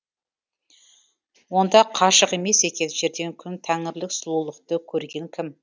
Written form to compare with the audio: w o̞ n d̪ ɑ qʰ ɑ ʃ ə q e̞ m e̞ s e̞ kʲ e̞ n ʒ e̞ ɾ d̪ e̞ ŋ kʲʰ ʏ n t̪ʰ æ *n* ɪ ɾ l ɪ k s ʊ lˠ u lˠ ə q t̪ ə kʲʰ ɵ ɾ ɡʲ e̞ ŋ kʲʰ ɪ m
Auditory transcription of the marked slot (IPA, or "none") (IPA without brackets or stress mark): ŋ